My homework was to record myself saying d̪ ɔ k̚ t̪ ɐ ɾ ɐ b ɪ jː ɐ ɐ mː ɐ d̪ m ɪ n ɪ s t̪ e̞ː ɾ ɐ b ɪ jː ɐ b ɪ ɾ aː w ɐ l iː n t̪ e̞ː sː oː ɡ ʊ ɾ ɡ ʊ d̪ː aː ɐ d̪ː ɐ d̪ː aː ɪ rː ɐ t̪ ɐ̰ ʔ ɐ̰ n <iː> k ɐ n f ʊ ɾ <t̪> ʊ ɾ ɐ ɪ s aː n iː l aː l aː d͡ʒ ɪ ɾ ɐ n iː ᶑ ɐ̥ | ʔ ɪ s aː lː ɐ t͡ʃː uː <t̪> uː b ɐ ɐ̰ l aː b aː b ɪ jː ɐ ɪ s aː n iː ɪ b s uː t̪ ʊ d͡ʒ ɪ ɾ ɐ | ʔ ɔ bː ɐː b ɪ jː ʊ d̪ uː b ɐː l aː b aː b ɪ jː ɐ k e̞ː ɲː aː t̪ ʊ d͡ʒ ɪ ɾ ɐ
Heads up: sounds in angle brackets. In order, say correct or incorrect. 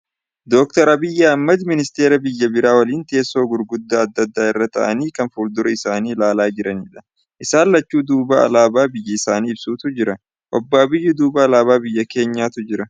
correct, incorrect: d̪, incorrect: d̪

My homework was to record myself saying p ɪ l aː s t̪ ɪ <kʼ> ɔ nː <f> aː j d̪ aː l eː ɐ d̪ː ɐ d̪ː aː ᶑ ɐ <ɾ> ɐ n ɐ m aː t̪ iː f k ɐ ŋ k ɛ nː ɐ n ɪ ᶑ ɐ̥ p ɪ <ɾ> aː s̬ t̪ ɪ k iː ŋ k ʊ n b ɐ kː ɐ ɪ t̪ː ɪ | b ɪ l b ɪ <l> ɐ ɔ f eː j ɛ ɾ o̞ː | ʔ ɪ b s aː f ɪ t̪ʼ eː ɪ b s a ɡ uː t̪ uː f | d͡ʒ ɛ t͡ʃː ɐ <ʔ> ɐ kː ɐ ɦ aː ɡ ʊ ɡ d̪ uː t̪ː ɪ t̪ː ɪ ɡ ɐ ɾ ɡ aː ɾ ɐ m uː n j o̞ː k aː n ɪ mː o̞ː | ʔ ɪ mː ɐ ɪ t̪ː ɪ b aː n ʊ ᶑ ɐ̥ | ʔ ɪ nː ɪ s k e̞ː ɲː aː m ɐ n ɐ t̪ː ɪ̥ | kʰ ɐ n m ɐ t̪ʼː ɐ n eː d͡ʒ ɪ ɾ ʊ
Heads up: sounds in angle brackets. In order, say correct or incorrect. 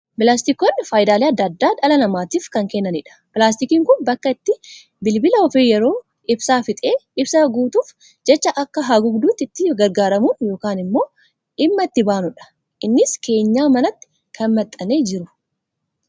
incorrect: k, correct, incorrect: l, incorrect: l, correct, correct

